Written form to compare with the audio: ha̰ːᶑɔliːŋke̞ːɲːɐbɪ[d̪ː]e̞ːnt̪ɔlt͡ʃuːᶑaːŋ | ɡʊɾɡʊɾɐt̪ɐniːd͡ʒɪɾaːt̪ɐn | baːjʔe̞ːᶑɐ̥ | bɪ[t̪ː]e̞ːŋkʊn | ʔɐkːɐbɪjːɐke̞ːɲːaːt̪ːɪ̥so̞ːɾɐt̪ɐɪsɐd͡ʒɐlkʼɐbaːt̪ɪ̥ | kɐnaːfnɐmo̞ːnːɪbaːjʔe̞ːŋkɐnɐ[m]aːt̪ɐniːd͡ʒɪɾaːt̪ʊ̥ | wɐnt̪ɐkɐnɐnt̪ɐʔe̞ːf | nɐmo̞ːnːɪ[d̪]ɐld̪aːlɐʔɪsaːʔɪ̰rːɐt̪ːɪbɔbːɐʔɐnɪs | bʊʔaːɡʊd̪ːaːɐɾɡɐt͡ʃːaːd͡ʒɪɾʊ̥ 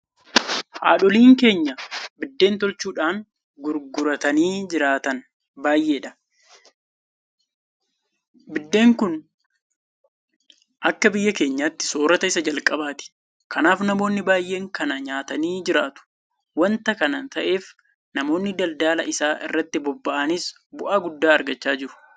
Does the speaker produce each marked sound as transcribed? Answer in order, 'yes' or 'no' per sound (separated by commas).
yes, no, no, yes